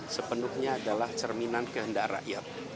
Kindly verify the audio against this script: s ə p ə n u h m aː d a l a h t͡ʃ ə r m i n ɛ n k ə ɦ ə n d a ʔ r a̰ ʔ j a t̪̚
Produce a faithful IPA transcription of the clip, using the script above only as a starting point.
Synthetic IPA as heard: s ə p ə n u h ɲ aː d a l a h t͡ʃ ə r m i n a n k ə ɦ ə n d a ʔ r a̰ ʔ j a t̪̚